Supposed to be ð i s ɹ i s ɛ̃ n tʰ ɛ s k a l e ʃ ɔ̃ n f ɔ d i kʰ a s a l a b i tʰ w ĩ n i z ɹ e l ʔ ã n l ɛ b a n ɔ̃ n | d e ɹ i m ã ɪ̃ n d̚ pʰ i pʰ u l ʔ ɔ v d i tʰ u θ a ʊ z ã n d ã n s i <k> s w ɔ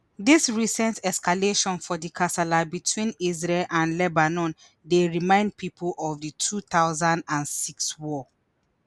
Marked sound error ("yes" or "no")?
no